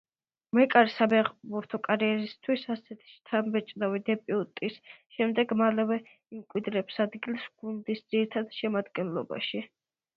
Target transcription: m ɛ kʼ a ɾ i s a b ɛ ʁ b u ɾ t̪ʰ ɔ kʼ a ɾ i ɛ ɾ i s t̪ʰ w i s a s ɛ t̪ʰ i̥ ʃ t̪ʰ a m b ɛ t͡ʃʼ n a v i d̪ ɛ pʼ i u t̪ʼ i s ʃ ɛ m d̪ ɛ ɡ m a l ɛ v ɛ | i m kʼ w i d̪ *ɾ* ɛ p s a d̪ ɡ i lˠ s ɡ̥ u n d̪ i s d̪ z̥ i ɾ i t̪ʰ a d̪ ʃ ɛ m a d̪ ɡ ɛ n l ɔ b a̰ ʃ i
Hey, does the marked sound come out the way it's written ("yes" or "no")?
yes